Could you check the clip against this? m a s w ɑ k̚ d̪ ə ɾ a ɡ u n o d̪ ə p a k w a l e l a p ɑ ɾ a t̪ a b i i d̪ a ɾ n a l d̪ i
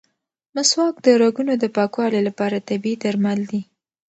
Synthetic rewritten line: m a s w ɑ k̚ d̪ ə ɾ a ɡ u n o d̪ ə p ɑ k w ɑ l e l a p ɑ ɾ a t̪ a b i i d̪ a ɾ m a l d̪ i